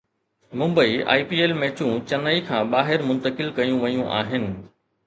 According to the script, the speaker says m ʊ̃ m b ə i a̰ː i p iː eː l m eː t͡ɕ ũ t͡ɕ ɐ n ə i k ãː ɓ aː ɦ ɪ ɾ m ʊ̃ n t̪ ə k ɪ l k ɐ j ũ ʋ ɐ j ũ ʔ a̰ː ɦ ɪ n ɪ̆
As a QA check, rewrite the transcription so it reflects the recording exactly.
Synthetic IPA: m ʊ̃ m b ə i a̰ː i p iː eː l m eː t͡ɕ ũ t͡ɕ ɐ n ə i kʰ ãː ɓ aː ɦ ɪ ɾ m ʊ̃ n t̪ ə k ɪ l k ɐ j ũ ʋ ɐ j ũ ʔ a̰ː ɦ ɪ n ɪ̆